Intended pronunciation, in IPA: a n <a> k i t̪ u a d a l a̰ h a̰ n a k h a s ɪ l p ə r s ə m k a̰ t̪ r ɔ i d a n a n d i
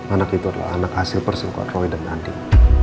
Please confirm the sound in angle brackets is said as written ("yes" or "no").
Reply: yes